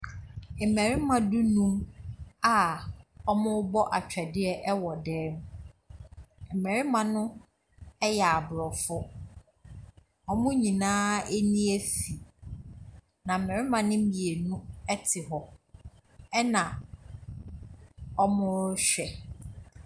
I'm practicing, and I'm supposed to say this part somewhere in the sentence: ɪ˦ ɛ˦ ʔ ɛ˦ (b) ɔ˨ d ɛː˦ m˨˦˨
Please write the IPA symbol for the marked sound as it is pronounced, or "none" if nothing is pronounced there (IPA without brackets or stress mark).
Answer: w